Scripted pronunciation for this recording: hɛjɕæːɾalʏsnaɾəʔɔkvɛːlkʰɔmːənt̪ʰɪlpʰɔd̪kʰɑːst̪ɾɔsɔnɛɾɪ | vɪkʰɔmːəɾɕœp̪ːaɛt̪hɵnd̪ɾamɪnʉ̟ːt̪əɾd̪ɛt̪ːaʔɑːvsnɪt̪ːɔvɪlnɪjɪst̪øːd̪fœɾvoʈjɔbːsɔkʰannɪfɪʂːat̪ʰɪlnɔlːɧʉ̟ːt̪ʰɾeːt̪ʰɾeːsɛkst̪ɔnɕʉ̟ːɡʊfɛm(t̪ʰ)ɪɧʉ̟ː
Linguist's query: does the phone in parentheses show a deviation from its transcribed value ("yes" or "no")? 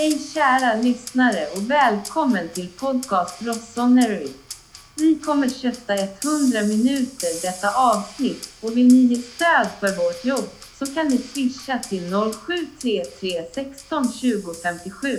yes